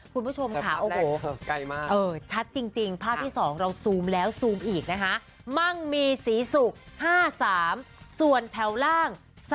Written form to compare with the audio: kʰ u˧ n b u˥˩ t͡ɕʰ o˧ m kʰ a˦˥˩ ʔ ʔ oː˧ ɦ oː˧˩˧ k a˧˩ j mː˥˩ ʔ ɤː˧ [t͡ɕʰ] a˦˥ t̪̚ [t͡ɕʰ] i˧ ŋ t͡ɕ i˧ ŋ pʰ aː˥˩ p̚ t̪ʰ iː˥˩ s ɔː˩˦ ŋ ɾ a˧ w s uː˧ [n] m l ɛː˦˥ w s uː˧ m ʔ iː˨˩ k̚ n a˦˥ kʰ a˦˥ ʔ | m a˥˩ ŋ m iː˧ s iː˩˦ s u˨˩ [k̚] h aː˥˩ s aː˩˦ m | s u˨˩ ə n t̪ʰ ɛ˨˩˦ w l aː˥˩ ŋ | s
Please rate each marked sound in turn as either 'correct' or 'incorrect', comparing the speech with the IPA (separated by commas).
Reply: correct, incorrect, incorrect, correct